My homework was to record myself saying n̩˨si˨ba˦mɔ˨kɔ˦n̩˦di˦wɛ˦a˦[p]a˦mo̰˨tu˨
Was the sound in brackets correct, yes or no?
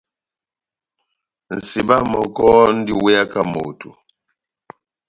no